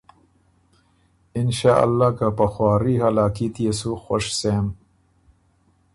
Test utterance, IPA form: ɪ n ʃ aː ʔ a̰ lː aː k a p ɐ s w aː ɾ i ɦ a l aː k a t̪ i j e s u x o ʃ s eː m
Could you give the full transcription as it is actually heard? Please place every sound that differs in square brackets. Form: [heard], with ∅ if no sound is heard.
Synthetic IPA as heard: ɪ n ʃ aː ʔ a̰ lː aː k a p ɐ [x] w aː ɾ i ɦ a l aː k [i] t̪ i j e s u x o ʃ s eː m